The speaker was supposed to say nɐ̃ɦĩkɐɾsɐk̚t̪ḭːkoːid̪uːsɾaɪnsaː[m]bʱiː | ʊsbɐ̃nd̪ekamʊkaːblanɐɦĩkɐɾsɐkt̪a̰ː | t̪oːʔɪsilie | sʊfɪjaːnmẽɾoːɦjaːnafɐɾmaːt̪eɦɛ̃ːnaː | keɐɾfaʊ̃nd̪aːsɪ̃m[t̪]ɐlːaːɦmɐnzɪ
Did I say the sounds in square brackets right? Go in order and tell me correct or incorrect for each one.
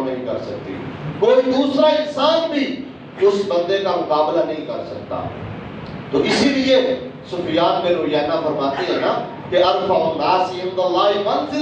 incorrect, incorrect

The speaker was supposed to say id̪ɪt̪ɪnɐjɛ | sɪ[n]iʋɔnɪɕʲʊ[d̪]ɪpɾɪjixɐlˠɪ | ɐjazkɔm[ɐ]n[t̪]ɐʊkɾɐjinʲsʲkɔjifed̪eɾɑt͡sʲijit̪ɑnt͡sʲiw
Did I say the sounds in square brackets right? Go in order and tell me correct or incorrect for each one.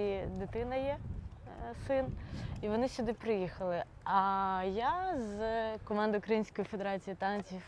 correct, correct, incorrect, incorrect

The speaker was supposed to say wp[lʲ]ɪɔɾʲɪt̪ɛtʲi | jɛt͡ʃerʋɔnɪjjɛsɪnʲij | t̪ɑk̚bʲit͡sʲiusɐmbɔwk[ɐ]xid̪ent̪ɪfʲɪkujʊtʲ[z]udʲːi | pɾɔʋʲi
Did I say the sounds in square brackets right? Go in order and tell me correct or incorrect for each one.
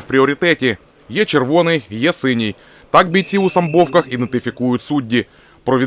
incorrect, correct, incorrect

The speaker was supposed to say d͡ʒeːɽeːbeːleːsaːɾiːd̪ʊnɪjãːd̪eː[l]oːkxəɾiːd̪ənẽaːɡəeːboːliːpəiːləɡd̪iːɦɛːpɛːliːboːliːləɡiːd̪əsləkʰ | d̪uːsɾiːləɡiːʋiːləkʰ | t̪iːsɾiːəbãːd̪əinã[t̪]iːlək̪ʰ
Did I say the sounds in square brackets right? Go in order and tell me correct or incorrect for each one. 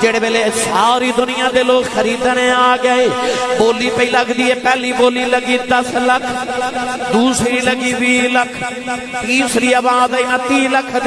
correct, correct

